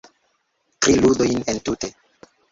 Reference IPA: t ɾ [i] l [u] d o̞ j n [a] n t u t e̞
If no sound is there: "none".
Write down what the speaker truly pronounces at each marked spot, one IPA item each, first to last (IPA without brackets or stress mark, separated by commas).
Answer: i, u, e